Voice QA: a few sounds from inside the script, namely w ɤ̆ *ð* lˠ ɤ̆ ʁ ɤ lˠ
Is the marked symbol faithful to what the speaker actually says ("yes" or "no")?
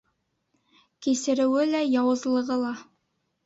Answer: no